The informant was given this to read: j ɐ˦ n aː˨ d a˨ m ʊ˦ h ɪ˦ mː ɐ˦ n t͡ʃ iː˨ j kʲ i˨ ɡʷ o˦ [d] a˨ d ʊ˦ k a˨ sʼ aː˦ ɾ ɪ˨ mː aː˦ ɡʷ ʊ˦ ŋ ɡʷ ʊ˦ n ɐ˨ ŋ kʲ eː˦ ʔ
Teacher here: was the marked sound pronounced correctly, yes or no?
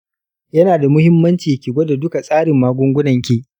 yes